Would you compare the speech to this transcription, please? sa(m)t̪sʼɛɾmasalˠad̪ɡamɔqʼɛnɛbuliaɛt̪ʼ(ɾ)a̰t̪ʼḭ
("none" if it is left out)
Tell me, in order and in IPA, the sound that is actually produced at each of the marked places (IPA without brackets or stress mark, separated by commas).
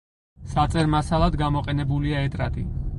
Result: none, ɾ